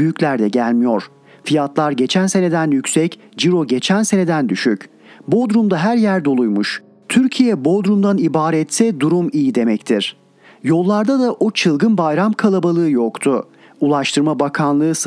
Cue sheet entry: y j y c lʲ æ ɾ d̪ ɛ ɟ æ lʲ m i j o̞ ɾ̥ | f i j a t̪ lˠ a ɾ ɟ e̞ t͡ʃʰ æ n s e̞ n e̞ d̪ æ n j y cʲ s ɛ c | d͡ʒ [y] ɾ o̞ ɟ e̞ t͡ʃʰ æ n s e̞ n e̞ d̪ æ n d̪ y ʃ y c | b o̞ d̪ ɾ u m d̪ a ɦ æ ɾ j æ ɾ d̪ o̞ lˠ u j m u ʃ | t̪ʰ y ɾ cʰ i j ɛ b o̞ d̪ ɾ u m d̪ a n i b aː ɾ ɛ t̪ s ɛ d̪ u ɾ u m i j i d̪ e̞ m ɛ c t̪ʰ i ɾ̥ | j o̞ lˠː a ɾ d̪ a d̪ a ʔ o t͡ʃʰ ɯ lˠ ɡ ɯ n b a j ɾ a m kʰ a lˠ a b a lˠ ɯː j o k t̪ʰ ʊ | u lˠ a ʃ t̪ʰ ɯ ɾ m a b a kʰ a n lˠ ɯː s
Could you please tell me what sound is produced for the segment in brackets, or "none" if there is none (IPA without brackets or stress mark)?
i